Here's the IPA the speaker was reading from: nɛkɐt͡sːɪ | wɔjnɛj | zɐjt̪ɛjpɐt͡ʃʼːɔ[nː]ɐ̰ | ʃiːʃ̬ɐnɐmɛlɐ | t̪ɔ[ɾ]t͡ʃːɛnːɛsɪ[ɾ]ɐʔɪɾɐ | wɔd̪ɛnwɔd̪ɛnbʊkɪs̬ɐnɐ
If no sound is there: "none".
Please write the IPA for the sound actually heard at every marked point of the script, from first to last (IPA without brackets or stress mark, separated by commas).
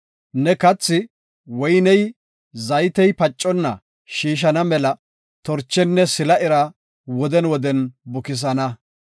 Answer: nː, ɾ, l